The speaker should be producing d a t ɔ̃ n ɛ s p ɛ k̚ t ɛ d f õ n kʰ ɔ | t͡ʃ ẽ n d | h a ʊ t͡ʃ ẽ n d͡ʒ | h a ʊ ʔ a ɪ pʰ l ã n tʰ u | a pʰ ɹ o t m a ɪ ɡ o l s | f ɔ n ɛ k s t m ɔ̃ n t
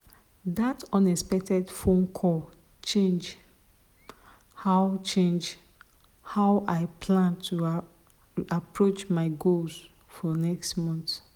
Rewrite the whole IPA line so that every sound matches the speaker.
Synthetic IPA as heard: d a t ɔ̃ n ɛ s p ɛ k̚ t ɛ d f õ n kʰ ɔ | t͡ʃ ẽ n d͡ʒ | h a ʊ t͡ʃ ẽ n d͡ʒ | h a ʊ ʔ a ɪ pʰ l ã n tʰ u | a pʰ ɹ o t͡ʃ m a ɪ ɡ o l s | f ɔ n ɛ k s t m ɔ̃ n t